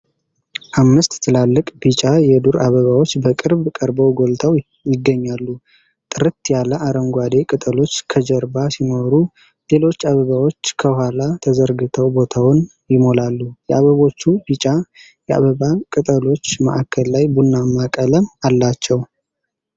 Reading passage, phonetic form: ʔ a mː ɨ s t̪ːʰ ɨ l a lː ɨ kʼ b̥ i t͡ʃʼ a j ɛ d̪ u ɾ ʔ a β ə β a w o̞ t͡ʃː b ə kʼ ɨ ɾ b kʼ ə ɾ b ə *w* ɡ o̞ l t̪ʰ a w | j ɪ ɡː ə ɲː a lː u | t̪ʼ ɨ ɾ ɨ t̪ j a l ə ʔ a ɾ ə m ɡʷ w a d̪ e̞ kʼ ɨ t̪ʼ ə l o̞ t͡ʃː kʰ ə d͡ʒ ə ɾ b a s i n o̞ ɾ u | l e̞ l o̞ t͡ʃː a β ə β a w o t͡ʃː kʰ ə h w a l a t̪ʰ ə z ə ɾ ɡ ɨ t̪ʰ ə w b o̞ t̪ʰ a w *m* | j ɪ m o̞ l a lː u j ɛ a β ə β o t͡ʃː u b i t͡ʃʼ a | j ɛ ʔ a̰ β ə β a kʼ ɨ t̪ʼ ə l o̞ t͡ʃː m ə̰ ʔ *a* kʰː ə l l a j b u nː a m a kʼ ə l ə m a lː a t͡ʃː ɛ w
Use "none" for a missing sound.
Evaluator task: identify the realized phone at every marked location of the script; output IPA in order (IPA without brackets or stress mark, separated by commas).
w, n, a